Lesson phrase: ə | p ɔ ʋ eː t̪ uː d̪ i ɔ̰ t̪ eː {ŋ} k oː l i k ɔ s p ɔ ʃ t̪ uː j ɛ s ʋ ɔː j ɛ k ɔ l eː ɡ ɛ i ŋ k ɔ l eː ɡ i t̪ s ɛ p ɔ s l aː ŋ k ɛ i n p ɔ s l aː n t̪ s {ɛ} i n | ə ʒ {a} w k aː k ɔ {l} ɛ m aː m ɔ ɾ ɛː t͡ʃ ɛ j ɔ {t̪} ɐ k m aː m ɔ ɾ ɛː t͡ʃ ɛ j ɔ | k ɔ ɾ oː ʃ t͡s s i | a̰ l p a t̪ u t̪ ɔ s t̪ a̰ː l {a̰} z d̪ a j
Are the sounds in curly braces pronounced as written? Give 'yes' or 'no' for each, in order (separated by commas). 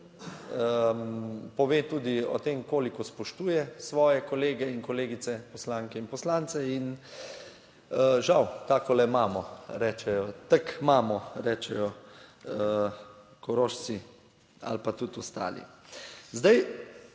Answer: no, yes, yes, yes, yes, no